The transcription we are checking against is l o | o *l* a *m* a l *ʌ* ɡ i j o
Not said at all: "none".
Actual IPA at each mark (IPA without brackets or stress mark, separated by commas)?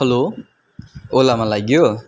l, m, a